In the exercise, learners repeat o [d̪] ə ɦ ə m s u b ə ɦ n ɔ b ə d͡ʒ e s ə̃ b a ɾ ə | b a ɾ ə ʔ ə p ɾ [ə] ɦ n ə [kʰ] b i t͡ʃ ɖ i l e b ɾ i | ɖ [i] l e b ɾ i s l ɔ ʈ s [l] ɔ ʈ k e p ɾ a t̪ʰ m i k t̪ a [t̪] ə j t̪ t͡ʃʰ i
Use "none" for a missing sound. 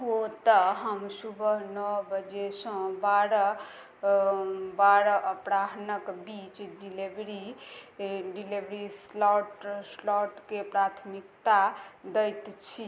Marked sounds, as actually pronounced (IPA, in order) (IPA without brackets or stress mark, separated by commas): t̪, a, k, i, l, d̪